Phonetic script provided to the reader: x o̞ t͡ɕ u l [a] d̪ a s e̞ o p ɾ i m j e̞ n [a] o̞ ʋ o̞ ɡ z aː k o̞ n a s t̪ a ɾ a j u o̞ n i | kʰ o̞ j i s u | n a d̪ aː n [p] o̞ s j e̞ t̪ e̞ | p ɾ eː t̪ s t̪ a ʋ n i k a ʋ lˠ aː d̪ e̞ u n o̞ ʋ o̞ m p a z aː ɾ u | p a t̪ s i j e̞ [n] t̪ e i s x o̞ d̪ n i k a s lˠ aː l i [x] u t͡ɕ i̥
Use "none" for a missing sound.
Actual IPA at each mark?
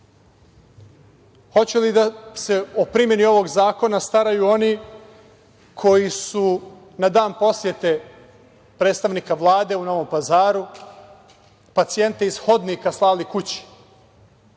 i, i, p, n, k

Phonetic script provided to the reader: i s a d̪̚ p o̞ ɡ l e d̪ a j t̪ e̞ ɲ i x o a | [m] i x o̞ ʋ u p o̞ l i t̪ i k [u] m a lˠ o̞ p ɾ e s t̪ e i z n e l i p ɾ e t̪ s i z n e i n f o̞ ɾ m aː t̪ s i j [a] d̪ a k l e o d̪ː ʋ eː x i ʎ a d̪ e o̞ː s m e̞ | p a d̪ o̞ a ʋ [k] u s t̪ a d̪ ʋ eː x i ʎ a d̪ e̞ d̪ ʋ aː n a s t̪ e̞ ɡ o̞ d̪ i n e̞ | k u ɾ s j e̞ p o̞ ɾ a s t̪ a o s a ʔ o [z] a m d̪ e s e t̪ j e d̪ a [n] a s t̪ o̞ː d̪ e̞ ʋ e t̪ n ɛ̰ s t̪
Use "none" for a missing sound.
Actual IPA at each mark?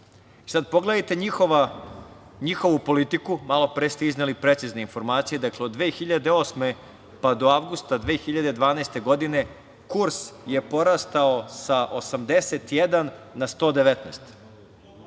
ɲ, u, e, ɡ, s, nː

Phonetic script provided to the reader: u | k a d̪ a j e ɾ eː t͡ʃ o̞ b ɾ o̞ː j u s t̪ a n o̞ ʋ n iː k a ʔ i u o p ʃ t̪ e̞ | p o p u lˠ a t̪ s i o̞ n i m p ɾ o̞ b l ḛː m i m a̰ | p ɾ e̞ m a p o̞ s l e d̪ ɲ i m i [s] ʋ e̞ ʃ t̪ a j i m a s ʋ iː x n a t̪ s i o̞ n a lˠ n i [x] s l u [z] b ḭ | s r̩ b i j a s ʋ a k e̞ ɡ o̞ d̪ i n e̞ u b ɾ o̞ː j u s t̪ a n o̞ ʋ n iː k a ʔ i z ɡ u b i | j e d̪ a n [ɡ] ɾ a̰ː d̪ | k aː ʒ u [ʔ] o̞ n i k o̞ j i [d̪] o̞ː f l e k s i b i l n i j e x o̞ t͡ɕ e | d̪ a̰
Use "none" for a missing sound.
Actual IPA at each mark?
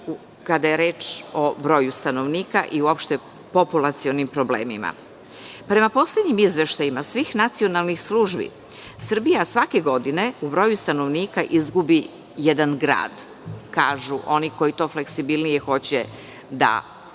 z, x, ʒ, ɡ, ʔ, t̪

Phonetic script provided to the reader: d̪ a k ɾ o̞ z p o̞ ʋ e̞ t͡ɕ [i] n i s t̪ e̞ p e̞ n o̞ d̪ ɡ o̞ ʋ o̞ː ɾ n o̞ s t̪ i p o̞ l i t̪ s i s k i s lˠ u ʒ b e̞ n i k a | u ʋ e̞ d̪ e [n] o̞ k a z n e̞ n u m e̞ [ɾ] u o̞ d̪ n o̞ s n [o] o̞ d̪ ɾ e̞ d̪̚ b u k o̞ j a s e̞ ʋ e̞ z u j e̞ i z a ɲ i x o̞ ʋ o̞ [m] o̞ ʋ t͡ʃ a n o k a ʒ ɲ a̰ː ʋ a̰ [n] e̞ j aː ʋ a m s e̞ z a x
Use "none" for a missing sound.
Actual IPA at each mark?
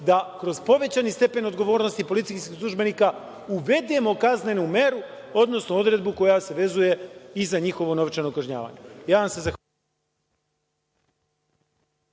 a, m, ɾ, o, n, ɲ

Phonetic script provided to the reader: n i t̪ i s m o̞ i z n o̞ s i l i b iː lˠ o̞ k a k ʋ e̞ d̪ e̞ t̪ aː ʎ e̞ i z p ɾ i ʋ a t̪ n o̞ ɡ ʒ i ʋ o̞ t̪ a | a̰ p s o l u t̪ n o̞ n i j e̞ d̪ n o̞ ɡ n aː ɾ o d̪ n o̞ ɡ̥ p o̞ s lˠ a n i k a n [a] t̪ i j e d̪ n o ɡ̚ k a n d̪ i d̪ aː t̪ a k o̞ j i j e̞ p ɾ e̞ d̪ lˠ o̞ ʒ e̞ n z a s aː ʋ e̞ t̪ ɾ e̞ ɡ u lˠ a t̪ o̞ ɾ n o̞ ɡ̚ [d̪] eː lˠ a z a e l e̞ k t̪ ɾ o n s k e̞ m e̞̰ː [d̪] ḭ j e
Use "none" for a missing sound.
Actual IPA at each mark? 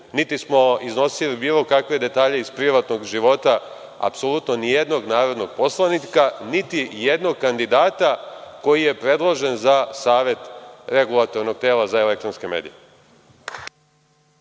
i, t̪, d̪

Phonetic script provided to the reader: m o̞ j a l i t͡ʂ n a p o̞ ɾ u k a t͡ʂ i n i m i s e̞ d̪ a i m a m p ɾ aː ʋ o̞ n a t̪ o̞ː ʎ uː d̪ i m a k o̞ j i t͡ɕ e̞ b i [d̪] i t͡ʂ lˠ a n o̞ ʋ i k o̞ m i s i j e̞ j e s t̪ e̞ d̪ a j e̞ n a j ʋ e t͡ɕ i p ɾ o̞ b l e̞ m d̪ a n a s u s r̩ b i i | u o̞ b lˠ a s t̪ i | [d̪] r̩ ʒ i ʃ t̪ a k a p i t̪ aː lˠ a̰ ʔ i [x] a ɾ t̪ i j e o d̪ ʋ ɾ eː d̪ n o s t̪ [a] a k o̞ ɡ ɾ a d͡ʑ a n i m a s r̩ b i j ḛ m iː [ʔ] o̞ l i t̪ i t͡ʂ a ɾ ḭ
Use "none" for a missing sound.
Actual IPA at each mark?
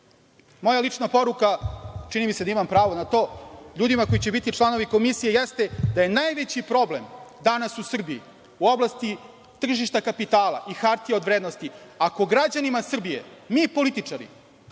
t̪, t̪, x, i, p

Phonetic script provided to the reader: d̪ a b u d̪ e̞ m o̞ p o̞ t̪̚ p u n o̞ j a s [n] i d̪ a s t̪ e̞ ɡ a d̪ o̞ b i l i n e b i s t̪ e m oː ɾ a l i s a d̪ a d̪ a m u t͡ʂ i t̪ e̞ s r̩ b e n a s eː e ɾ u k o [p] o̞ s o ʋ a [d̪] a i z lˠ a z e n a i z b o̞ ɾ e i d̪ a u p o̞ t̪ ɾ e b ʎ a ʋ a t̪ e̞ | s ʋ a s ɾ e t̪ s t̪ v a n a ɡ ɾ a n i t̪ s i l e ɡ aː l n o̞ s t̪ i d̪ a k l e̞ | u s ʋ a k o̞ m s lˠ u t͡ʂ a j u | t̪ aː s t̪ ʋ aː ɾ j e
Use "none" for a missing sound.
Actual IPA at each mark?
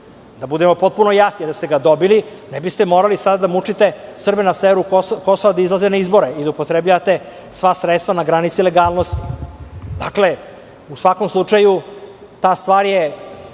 n, k, d̪

